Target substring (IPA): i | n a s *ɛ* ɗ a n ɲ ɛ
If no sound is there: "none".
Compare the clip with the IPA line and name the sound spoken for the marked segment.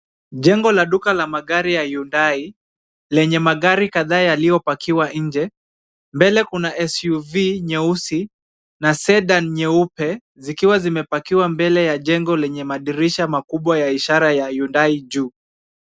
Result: ɛ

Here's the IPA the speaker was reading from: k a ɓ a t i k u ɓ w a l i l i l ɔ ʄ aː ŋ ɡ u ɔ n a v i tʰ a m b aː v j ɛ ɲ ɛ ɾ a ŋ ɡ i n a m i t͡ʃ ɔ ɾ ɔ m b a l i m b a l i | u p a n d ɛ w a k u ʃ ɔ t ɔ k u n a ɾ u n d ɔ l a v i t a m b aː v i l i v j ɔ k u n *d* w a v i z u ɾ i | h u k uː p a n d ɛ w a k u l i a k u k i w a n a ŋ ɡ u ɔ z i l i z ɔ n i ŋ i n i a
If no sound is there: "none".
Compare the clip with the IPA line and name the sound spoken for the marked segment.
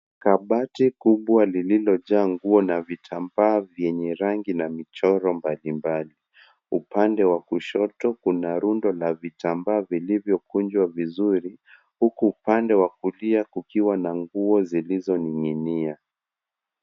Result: d͡ʒ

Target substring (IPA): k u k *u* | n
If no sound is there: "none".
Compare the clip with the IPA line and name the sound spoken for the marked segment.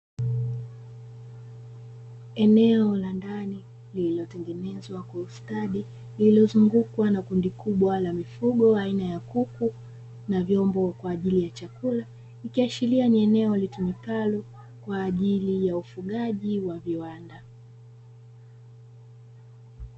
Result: u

